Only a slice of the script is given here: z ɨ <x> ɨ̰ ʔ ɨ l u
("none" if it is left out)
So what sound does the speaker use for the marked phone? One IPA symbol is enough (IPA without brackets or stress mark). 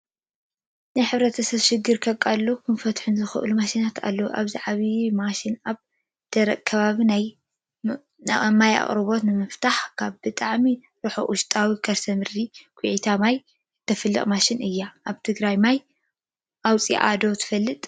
x